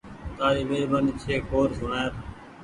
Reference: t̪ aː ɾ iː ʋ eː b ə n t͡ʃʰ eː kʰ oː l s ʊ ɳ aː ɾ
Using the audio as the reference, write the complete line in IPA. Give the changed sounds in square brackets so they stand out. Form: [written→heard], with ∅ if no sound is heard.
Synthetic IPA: t̪ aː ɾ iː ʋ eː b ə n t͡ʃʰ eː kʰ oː [l→ɾ] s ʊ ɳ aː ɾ